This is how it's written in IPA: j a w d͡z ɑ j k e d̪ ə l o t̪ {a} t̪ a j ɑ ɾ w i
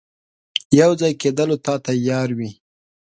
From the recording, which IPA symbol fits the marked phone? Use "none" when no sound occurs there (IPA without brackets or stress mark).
ɑ